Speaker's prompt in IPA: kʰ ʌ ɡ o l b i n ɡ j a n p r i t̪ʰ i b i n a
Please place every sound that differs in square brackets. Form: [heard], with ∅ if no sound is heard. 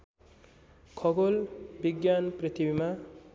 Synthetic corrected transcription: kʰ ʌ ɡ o l b i [∅] ɡ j a n p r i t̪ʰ i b i [m] a